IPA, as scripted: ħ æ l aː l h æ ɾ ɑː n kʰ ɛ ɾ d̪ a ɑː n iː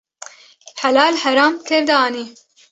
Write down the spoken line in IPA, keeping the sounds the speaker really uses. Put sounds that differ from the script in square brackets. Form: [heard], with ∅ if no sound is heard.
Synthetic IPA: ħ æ l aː l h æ ɾ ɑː [m] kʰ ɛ ɾ d̪ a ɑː n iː